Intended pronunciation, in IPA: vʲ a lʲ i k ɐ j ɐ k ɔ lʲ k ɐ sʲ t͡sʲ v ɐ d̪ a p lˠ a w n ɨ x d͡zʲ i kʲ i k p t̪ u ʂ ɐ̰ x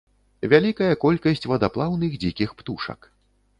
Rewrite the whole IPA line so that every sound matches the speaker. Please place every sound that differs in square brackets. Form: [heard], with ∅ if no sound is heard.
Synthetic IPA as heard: vʲ a lʲ i k ɐ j ɐ k ɔ lʲ k ɐ sʲ t͡sʲ v ɐ d̪ a p lˠ a w n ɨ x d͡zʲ i kʲ i [x] p t̪ u ʂ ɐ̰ [k]